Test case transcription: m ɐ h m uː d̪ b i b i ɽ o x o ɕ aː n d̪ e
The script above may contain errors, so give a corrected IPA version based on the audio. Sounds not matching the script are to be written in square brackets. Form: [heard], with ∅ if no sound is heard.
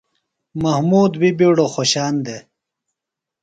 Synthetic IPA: m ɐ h m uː d̪ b i b i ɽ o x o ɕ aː n d̪ e